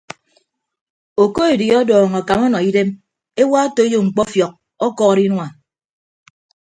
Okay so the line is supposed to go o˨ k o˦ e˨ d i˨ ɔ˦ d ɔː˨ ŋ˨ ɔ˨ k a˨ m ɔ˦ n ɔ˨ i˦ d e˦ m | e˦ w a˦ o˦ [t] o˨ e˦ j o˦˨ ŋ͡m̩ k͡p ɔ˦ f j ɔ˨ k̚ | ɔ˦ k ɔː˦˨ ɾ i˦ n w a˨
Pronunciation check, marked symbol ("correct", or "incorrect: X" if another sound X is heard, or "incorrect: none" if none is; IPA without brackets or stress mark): correct